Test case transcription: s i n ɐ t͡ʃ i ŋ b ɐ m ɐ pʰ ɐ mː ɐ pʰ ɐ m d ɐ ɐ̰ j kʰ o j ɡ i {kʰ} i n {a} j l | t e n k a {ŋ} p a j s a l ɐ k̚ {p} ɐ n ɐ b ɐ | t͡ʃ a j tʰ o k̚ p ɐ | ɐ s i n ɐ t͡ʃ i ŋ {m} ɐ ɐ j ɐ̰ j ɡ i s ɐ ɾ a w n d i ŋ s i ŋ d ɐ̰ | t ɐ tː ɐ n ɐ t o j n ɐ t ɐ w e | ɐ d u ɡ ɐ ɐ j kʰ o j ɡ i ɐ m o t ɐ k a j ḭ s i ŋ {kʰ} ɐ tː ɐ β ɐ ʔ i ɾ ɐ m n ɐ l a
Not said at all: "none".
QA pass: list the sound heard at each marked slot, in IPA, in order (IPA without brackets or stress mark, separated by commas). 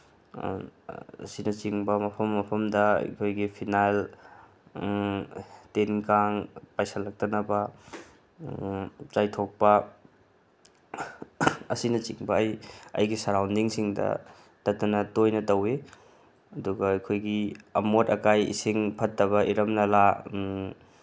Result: pʰ, a, ŋ, t, b, pʰ